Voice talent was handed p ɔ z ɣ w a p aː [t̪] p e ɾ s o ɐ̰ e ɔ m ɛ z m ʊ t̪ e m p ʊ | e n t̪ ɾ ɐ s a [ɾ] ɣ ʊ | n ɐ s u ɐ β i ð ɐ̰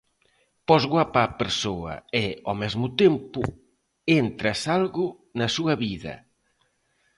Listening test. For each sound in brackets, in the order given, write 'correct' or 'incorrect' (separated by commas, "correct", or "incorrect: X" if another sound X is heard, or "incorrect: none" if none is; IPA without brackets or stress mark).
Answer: incorrect: none, incorrect: l